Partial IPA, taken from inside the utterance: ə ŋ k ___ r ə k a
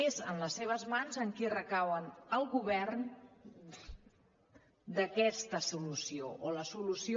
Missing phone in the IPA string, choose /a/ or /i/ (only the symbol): i